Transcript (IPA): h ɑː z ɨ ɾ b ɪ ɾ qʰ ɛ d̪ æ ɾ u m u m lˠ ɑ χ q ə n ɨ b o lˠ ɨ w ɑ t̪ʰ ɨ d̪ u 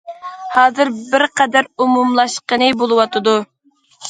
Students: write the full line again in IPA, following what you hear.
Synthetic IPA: h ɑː z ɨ ɾ b ɪ ɾ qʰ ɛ d̪ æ ɾ u m u m lˠ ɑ ʃ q ə n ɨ b o lˠ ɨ w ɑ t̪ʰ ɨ d̪ u